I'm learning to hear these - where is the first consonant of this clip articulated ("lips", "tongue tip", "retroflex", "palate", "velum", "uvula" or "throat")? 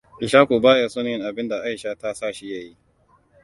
throat